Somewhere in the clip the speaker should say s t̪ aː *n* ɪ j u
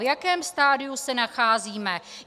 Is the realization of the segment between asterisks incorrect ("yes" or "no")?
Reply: yes